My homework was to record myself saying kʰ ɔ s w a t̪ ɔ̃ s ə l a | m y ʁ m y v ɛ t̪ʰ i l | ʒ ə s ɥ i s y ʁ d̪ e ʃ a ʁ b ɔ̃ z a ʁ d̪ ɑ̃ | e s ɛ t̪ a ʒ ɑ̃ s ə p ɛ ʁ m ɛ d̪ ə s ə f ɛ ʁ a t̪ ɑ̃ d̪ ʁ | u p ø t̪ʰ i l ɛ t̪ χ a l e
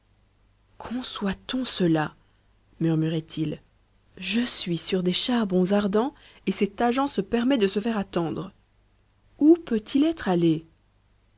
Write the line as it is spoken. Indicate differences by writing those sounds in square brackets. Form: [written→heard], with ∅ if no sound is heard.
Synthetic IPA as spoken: kʰ [ɔ→ɔ̃] s w a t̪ ɔ̃ s ə l a | m y ʁ m y [v→ʁ] ɛ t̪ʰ i l | ʒ ə s ɥ i s y ʁ d̪ e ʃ a ʁ b ɔ̃ z a ʁ d̪ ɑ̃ | e s ɛ t̪ a ʒ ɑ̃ s ə p ɛ ʁ m ɛ d̪ ə s ə f ɛ ʁ a t̪ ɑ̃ d̪ ʁ | u p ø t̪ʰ i l ɛ t̪ χ a l e